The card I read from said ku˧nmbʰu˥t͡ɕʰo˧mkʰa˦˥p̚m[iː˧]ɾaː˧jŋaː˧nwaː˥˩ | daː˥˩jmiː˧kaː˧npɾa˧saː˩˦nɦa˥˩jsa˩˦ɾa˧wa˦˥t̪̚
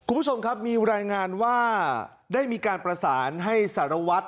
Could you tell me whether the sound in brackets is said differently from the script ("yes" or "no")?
no